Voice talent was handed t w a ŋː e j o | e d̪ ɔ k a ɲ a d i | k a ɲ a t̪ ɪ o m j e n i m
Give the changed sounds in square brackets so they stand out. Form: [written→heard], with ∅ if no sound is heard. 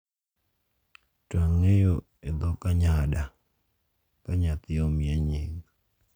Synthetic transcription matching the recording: t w a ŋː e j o | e d̪ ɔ k a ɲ a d [i→a] | k a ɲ a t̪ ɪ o m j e [n→ɲ] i [m→ŋ]